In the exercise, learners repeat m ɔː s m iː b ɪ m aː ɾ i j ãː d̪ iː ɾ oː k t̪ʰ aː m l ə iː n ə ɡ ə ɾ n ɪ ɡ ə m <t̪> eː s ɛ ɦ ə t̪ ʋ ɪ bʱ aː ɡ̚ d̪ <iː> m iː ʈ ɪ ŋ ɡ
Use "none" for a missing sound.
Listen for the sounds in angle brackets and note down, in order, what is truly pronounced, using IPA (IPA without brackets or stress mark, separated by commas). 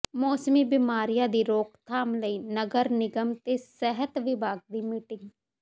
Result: t̪, iː